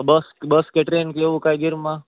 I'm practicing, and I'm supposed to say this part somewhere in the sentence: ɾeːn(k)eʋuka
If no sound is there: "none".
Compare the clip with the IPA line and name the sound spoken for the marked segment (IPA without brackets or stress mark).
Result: k